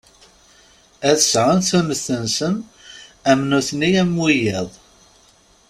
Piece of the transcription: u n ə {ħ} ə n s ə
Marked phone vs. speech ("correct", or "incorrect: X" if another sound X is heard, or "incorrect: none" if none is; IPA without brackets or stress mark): incorrect: θ